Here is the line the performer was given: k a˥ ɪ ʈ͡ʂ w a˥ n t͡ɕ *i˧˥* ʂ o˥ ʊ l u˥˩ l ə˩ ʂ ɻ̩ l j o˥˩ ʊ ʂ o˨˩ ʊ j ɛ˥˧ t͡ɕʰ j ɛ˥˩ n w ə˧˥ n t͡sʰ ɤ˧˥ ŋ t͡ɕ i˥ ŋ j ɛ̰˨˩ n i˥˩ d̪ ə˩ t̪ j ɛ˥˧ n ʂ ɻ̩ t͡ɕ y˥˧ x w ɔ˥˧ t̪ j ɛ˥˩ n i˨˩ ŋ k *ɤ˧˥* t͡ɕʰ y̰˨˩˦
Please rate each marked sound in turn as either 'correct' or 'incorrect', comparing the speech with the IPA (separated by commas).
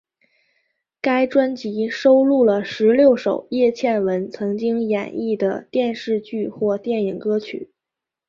correct, incorrect